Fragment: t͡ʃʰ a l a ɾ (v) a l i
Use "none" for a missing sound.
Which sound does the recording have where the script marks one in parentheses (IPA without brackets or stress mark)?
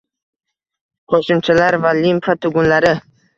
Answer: v